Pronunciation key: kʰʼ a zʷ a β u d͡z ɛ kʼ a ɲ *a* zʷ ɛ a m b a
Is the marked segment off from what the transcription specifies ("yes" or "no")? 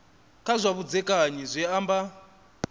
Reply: yes